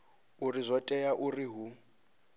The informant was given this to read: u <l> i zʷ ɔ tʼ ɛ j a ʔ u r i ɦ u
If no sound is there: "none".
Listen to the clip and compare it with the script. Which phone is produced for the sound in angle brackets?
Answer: r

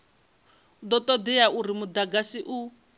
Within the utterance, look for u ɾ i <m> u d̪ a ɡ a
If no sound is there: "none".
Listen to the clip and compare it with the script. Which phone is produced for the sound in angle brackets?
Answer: m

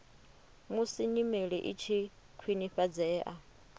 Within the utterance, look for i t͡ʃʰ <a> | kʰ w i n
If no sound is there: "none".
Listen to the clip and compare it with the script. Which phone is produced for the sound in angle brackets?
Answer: i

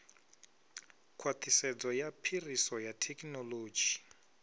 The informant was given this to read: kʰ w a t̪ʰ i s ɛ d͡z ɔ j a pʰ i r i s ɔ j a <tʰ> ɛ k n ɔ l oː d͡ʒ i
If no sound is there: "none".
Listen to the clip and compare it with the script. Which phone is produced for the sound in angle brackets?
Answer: tʰ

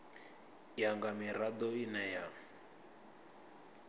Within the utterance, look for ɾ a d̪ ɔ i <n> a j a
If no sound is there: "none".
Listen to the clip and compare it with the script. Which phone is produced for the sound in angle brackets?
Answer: n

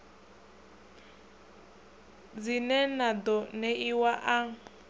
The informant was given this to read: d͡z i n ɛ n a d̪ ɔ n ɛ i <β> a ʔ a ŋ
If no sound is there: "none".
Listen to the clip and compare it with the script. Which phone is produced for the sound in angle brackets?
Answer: w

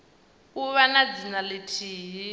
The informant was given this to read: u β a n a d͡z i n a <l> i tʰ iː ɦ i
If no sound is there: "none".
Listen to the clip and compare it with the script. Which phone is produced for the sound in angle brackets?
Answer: l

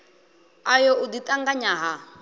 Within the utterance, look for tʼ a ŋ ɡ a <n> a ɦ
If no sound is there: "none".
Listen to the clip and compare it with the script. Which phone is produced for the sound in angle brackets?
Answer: ɲ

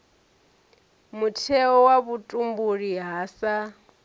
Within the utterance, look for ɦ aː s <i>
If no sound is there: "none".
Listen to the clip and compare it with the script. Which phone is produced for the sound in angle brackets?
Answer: a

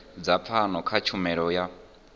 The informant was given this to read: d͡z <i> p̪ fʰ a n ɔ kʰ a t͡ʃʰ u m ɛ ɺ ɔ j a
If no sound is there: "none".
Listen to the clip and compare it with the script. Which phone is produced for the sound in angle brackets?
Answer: a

